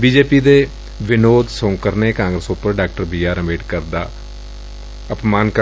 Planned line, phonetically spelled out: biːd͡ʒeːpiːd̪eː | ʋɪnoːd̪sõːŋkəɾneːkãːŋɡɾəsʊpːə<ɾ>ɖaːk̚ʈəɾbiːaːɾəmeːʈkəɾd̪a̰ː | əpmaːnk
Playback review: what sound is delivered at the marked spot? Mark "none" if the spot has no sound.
ɾ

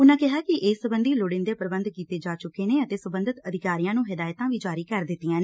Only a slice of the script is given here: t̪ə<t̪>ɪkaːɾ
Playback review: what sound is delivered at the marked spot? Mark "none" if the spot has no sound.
d̪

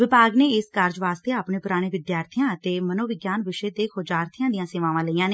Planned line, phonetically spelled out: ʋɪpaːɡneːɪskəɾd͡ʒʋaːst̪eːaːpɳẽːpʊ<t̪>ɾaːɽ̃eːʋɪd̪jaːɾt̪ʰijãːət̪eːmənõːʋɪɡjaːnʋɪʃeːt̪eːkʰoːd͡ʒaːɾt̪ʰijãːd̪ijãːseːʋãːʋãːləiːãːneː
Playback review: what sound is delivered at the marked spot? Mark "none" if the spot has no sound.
none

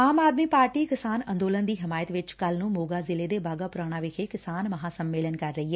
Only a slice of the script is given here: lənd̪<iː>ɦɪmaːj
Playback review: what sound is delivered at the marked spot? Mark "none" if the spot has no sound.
iː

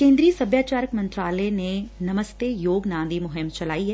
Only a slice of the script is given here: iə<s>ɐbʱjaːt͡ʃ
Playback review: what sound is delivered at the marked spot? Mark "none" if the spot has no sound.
s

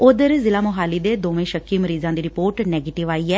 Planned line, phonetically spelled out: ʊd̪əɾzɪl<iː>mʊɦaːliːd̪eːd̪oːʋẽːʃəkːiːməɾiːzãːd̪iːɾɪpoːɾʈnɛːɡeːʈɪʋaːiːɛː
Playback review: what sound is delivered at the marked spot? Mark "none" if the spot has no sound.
aː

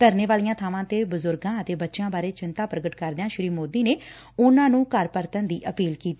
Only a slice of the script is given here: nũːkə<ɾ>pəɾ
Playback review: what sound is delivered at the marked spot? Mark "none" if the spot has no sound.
ɾ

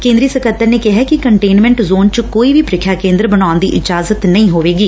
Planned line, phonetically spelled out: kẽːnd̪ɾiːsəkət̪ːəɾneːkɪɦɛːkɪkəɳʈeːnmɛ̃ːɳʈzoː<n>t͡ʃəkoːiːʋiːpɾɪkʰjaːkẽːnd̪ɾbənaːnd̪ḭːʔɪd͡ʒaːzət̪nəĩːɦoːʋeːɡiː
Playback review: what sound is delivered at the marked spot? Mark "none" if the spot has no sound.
n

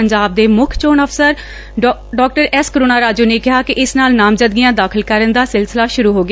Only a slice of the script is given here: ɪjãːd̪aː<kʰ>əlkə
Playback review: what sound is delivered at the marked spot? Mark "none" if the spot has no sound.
kʰ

